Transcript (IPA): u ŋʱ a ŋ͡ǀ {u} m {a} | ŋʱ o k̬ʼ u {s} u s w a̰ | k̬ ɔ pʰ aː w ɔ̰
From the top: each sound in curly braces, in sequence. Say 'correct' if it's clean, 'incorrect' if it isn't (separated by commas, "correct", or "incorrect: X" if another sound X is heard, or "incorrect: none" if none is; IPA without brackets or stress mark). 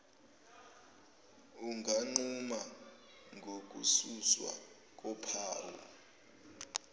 correct, correct, correct